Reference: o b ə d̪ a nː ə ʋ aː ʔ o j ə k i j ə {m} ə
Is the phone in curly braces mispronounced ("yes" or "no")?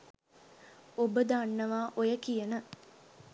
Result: yes